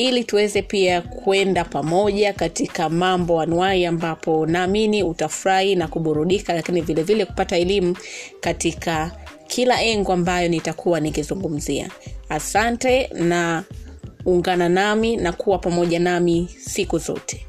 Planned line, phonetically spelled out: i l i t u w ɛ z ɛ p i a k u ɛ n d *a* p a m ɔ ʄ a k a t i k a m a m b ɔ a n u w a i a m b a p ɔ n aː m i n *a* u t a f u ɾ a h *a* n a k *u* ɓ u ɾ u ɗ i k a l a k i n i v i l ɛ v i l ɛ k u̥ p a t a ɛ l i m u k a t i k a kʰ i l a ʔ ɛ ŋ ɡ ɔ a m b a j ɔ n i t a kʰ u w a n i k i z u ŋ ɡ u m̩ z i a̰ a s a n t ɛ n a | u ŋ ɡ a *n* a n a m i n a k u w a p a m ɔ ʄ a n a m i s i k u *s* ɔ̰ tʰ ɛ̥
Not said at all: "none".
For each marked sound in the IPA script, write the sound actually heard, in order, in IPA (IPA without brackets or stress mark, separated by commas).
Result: a, i, i, u, n, z